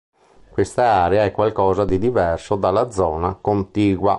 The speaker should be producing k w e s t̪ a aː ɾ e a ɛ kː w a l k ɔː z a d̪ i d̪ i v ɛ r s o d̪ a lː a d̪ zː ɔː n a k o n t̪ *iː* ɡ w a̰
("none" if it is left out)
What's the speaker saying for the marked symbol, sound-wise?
iː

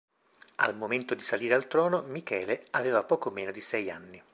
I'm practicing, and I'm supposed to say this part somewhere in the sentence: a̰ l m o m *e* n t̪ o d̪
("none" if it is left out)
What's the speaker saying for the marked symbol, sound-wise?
e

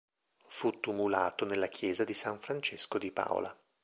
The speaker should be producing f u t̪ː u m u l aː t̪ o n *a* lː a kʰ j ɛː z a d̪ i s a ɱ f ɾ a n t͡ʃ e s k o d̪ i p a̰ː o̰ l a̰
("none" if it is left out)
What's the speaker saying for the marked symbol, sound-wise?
e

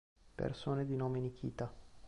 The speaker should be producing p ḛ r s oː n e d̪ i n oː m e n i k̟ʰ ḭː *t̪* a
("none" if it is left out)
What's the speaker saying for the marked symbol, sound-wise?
t̪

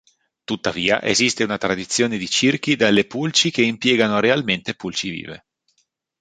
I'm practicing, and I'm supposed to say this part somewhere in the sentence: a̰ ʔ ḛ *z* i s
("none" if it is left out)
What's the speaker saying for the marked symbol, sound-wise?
z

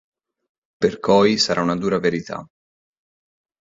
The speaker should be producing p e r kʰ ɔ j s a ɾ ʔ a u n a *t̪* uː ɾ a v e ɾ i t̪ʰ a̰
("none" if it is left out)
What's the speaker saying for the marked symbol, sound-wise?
d̪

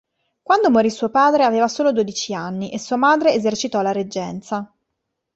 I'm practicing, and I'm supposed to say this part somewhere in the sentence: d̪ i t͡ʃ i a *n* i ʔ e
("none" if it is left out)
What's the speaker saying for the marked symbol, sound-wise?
nː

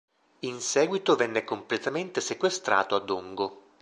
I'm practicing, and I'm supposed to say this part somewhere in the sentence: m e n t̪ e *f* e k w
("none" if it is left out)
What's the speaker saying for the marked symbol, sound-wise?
s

